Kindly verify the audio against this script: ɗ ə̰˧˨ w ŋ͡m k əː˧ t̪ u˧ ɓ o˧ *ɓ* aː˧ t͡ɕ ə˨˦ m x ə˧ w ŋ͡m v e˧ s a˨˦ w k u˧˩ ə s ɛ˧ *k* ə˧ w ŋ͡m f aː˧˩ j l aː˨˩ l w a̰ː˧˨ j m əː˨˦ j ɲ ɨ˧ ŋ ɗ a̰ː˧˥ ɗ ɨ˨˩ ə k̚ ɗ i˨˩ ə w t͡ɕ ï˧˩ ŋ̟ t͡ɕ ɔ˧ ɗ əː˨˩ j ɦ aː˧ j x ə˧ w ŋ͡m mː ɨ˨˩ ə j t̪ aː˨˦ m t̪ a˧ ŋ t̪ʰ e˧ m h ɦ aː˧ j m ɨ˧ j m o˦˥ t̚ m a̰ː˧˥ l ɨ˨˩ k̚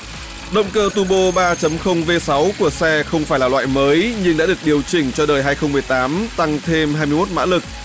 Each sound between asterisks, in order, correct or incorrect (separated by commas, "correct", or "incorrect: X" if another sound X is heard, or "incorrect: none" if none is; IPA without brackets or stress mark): correct, incorrect: x